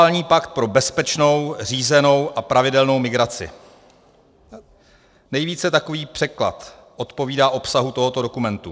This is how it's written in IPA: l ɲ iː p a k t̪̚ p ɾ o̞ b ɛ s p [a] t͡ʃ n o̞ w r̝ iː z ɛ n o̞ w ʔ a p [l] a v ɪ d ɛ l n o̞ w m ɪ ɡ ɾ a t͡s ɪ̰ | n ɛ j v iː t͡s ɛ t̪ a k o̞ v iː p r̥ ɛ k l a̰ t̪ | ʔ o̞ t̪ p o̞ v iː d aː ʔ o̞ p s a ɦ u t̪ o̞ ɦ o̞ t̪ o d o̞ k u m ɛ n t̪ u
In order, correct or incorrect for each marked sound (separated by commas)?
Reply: incorrect, incorrect